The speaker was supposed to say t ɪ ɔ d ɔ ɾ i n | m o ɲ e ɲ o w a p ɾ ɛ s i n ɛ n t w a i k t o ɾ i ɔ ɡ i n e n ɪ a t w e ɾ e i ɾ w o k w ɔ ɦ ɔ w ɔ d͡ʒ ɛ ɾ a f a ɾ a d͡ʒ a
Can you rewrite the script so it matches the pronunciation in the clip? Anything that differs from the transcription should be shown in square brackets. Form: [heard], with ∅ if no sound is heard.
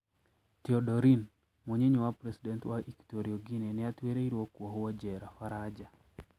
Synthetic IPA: t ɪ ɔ d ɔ ɾ i n | m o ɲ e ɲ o w a p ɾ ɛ s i [d] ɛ n t w a i k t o ɾ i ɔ ɡ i n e n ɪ a t w e ɾ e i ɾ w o k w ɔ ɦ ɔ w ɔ d͡ʒ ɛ ɾ a f a ɾ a d͡ʒ a